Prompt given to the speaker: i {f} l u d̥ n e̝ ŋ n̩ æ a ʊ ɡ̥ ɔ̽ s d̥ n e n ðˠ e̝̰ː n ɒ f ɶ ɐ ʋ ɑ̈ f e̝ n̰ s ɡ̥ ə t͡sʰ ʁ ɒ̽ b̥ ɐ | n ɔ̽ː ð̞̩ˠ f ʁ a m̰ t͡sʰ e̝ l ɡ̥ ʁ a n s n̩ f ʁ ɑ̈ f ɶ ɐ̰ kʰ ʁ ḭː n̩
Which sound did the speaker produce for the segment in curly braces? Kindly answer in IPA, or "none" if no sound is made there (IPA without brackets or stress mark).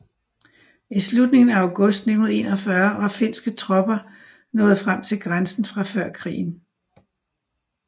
s